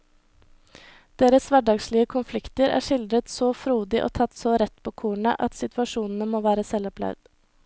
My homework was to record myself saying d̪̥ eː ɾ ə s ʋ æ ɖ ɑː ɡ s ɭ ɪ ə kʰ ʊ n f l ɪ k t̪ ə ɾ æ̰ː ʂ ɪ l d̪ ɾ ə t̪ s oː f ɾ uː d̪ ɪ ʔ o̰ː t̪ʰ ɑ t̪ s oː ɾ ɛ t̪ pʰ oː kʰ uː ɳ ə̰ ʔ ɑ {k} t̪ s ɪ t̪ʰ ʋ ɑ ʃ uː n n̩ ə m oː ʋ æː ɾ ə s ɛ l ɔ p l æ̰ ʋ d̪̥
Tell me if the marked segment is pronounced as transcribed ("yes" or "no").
no